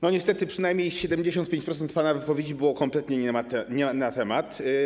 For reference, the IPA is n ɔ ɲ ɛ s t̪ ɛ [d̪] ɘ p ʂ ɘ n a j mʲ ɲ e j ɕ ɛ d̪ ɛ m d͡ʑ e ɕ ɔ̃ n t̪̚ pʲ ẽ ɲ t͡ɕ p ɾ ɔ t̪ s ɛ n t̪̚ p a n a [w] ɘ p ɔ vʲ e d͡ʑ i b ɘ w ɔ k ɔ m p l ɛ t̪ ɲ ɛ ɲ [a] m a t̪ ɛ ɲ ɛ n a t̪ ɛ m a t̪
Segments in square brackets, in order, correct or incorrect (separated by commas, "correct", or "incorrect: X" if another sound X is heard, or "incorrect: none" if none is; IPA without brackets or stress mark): incorrect: t̪, incorrect: v, incorrect: ɛ